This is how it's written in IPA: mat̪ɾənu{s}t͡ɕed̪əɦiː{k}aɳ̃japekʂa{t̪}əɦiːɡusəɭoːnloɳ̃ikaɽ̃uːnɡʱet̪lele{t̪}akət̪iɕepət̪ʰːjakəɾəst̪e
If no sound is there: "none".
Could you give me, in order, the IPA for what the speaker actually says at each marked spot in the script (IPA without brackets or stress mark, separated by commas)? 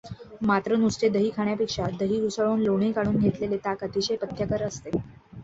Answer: s, kʰ, d̪, t̪